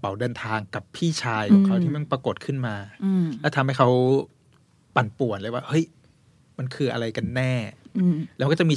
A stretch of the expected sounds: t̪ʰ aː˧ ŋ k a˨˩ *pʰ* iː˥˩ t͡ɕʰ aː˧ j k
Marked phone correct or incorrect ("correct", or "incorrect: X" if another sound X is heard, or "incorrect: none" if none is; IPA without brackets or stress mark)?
correct